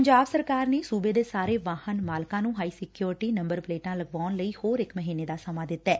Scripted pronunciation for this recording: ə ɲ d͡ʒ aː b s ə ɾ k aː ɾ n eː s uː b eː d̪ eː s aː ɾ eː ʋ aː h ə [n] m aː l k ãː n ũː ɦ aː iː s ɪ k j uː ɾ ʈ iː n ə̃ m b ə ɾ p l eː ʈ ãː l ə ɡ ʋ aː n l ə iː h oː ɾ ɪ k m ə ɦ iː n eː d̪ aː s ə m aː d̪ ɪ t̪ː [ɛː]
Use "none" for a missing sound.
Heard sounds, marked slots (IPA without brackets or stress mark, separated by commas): n, ɛː